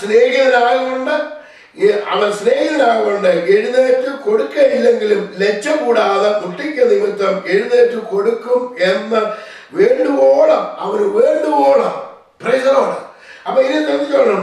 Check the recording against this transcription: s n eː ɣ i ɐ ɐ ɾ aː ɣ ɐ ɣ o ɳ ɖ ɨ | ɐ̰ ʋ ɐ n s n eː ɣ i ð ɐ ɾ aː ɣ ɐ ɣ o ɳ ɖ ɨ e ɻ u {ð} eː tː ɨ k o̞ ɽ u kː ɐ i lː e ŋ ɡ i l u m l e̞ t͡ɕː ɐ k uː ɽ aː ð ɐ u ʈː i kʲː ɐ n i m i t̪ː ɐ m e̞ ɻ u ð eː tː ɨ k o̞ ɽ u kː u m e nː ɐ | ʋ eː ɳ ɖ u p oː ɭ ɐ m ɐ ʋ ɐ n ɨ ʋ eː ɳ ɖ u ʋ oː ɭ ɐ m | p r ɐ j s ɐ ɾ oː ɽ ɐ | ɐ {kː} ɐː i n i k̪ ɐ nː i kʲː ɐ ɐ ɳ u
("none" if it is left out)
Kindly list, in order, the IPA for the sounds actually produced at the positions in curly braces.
ð, pː

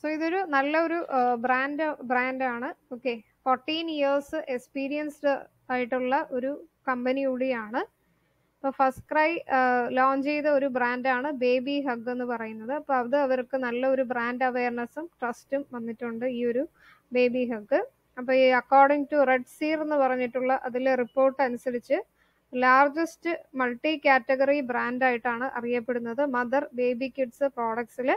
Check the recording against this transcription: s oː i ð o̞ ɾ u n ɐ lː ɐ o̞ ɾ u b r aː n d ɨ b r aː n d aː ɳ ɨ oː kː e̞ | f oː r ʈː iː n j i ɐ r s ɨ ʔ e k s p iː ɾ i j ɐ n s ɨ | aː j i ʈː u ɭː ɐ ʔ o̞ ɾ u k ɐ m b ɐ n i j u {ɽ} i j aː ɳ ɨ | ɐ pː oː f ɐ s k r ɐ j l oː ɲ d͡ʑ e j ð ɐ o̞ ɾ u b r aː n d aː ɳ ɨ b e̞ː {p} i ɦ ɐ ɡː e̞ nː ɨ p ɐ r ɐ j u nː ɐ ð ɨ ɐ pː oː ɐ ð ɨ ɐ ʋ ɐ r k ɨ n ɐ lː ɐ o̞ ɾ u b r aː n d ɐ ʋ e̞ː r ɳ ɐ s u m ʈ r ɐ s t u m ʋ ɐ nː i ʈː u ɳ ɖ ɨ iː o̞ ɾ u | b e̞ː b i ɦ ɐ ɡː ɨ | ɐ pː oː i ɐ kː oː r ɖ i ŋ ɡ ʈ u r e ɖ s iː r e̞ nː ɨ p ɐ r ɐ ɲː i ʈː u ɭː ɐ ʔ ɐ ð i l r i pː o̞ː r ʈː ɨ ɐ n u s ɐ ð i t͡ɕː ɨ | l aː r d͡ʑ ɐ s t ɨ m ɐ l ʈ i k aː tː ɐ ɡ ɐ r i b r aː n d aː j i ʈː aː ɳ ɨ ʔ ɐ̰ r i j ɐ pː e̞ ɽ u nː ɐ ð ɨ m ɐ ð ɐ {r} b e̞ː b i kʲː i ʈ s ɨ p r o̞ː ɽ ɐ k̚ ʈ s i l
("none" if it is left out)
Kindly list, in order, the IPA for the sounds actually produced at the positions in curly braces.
ɽ, b, r

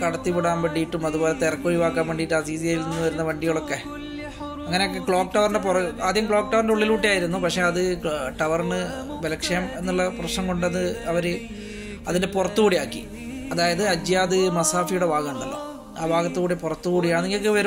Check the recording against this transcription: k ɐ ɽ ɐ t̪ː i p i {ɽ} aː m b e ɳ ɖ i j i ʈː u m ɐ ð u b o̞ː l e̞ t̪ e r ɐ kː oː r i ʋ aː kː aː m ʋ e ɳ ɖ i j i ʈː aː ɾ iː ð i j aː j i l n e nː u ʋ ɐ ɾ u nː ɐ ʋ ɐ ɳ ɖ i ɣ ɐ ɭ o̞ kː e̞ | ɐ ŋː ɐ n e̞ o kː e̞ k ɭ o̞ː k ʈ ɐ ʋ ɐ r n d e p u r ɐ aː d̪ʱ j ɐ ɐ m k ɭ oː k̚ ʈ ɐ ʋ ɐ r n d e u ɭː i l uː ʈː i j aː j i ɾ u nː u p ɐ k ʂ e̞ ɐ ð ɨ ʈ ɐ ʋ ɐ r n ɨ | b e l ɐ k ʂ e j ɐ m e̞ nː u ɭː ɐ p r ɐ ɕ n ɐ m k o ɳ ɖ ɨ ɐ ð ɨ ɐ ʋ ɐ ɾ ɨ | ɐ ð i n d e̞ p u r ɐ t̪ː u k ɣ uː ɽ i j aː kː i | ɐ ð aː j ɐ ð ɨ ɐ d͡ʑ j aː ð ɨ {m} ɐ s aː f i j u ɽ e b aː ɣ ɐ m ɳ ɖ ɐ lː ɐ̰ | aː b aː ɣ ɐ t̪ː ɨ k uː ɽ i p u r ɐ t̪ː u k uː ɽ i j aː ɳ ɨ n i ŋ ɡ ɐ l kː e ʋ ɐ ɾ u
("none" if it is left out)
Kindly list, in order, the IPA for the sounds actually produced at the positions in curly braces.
ɽ, m

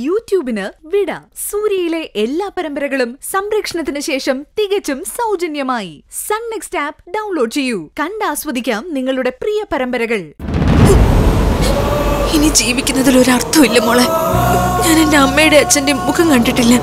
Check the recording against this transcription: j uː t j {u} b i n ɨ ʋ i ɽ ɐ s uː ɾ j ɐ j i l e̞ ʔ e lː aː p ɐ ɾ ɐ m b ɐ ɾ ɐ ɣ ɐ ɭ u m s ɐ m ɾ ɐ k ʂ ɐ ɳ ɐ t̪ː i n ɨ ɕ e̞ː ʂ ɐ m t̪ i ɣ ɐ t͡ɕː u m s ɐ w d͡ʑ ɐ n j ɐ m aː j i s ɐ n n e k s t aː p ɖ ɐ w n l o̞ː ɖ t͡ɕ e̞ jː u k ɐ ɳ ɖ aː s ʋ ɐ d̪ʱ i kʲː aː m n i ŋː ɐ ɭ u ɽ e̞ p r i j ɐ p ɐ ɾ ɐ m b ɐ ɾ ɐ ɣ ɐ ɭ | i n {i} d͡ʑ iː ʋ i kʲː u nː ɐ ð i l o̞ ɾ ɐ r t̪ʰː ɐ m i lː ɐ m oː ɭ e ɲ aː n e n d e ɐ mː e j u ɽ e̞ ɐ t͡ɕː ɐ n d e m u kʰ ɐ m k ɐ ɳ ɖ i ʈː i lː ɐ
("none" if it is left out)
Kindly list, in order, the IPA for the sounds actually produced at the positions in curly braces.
uː, i

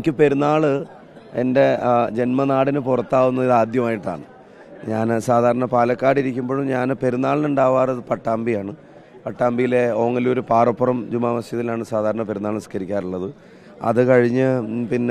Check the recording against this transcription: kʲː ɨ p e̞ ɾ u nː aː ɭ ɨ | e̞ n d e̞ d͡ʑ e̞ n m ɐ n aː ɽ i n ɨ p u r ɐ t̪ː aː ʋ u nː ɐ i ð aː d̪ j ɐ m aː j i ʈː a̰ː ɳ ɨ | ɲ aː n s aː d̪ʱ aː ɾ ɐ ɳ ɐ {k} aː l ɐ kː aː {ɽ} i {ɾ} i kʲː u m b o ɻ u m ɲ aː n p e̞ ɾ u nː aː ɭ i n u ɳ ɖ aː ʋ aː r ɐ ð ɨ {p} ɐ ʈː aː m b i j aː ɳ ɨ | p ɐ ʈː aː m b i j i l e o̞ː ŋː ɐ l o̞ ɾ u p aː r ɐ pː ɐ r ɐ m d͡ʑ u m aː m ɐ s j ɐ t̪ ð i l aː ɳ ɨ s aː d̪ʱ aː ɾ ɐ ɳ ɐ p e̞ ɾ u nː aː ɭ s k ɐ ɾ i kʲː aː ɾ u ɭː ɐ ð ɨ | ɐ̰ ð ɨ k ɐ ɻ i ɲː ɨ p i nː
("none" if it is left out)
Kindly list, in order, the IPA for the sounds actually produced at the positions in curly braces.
p, ɽ, ɾ, p

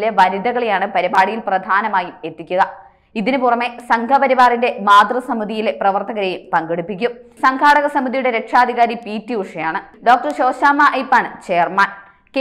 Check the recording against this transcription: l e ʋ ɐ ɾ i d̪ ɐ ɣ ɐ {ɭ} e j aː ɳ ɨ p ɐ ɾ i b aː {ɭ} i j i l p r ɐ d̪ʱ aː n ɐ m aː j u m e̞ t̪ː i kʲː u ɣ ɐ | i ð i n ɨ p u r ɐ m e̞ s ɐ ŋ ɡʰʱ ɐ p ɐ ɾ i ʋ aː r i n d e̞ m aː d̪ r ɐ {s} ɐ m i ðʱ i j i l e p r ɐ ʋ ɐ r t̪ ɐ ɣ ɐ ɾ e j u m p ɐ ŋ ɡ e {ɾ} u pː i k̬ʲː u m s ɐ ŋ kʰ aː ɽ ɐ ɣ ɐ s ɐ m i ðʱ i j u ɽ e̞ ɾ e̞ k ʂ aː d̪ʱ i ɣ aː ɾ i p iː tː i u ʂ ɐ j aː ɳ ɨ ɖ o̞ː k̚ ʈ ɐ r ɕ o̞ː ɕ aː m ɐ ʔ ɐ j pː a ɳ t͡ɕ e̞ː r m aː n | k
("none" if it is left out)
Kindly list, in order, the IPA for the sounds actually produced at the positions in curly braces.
ɭ, ɽ, s, ɽ

